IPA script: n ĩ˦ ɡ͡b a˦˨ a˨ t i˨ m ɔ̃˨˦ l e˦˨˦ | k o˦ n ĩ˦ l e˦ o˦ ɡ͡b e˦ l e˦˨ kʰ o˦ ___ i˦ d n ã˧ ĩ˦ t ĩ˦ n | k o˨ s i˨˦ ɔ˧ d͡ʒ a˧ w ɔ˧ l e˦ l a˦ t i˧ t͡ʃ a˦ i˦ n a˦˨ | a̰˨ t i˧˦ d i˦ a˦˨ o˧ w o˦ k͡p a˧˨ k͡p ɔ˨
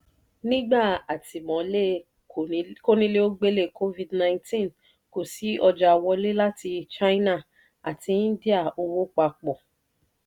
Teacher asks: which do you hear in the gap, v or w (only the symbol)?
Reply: v